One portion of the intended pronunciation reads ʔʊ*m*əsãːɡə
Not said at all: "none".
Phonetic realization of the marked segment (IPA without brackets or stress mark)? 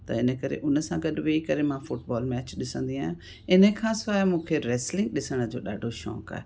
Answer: n